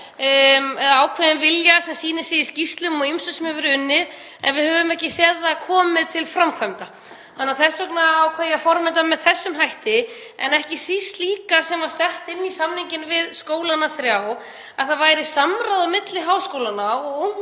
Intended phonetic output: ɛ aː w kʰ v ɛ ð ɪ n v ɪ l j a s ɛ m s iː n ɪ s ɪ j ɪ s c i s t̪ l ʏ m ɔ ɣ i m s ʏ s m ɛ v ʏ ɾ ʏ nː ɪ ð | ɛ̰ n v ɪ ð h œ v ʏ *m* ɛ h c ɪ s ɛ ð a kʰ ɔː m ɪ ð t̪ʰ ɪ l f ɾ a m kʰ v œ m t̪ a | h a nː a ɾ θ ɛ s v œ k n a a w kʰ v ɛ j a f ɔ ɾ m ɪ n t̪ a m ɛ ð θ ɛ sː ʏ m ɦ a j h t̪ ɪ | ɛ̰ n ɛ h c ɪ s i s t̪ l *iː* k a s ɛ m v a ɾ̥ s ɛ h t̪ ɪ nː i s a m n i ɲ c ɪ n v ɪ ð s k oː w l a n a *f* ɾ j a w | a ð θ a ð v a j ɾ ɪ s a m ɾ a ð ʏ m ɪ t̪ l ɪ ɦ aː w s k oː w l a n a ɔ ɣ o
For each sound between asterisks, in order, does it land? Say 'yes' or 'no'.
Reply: yes, yes, no

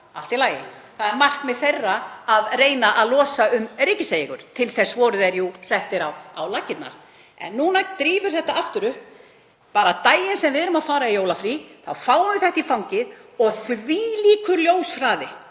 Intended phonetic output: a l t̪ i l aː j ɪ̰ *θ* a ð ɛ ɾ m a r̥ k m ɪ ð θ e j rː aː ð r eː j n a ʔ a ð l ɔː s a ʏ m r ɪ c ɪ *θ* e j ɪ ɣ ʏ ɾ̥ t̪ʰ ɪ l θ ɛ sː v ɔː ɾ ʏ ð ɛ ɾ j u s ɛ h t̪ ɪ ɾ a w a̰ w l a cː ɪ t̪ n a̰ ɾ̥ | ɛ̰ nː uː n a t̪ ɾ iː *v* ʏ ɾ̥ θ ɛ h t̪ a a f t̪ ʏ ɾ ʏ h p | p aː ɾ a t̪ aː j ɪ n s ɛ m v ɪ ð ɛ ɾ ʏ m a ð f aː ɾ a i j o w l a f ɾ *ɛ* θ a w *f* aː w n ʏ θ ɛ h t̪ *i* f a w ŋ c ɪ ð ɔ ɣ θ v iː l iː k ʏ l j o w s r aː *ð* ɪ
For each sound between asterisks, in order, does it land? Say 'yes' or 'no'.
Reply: yes, no, yes, no, yes, yes, yes

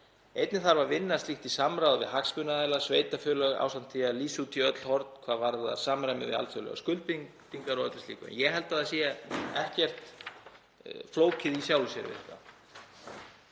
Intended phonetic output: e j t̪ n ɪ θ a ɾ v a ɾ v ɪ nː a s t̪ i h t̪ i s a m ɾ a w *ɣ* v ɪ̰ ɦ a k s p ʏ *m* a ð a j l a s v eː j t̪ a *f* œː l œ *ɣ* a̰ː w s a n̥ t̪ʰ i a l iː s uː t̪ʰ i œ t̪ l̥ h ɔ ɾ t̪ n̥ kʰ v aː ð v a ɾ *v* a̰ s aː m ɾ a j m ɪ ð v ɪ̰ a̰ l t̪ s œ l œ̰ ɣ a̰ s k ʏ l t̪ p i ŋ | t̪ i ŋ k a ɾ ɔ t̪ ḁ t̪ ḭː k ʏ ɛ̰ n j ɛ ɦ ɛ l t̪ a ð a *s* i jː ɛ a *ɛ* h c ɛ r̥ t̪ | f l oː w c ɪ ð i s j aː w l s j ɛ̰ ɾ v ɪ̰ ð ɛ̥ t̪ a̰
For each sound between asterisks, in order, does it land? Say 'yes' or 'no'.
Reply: no, no, yes, yes, no, yes, yes

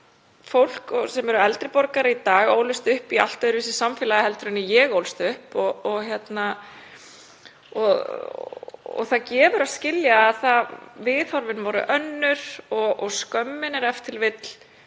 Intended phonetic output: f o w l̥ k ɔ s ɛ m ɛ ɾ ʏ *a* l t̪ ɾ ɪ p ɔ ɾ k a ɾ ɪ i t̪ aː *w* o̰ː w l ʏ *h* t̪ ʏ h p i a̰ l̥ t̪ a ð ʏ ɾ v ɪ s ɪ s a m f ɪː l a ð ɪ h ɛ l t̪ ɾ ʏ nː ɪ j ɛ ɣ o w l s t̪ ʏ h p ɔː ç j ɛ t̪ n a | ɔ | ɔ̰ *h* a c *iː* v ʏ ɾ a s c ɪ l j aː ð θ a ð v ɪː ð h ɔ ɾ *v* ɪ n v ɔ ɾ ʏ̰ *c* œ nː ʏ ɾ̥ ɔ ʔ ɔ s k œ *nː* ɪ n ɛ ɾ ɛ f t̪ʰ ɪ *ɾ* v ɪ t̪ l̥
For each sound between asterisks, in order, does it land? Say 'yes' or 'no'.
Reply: no, no, no, no, no, yes, no, no, no

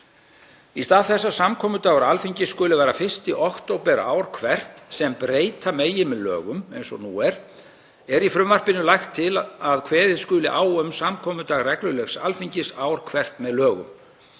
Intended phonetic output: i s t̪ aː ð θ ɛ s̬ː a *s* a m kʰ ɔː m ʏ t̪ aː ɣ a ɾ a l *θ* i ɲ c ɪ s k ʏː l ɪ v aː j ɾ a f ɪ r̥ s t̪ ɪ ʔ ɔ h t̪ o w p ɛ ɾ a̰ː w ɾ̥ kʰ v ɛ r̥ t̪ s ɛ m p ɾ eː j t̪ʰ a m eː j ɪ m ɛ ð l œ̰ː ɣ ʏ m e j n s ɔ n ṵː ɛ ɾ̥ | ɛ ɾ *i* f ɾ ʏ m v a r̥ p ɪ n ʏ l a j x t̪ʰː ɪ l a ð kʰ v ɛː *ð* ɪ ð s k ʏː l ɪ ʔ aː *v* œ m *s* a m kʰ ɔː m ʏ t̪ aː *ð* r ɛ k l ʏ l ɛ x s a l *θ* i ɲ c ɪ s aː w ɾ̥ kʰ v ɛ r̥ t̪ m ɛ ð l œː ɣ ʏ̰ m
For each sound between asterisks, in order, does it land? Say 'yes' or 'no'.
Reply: yes, no, yes, yes, no, yes, no, no

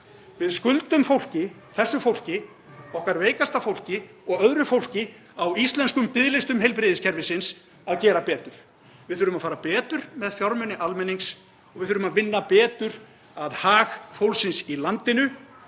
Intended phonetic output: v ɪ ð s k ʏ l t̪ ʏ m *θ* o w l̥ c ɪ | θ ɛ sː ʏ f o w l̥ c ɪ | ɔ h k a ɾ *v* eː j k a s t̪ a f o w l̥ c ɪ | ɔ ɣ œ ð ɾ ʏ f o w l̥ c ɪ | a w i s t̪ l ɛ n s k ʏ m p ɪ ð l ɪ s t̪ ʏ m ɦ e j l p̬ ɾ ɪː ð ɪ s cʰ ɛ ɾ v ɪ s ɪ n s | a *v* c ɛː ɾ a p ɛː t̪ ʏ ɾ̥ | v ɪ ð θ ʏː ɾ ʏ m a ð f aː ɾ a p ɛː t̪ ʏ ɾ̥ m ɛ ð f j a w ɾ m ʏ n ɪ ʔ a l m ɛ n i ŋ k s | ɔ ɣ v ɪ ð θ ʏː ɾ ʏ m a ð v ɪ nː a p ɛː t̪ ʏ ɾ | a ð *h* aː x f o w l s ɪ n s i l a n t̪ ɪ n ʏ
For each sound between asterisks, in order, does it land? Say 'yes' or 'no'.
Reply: no, yes, no, yes

